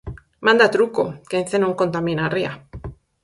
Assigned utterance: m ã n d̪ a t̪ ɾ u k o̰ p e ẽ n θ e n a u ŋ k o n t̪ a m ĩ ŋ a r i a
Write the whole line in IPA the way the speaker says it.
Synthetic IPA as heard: m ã n d̪ a t̪ ɾ u k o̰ k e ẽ n θ e n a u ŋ k o n t̪ a m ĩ n a r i a